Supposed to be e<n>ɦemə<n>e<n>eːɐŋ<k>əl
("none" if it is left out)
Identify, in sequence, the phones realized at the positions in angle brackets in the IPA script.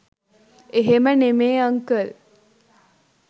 none, n, m, k

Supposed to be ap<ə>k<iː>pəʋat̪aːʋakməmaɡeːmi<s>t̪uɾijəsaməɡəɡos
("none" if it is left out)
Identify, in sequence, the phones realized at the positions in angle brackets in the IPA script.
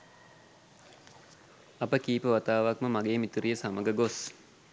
ə, iː, none

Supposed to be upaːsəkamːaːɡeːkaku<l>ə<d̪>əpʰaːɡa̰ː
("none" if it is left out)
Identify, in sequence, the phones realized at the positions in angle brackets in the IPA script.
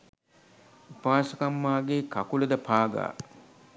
l, d̪

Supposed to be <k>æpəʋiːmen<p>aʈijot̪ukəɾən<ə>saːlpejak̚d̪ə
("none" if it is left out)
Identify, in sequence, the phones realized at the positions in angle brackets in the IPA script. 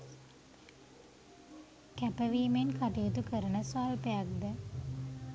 k, k, ə

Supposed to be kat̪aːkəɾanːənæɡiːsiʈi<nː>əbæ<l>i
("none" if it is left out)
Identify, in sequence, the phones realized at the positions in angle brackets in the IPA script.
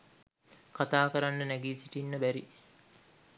nː, ɾ

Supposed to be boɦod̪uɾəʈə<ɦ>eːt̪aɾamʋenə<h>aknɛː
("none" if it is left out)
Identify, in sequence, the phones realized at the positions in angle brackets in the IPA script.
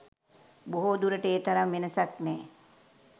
none, s

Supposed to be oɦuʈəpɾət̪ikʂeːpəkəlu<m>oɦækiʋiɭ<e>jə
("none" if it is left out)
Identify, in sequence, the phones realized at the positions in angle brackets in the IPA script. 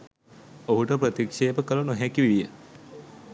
n, i

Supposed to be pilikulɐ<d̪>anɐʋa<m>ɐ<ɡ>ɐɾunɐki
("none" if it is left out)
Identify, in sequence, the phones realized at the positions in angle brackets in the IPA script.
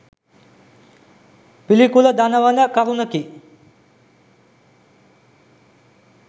d̪, n, k

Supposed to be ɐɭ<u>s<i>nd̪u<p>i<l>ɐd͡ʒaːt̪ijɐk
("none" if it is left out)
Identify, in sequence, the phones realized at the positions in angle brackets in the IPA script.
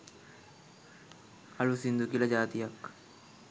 u, i, k, l

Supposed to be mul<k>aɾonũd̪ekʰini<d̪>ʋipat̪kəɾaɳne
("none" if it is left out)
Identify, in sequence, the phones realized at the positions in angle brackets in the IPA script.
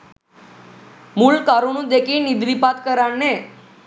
k, d̪

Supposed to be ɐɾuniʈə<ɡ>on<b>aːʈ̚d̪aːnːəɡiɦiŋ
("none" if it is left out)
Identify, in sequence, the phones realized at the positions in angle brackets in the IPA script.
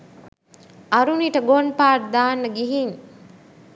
ɡ, p

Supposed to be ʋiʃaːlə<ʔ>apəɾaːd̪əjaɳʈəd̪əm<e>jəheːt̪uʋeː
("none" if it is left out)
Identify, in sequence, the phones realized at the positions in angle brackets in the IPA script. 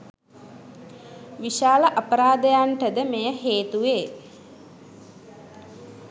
ʔ, e

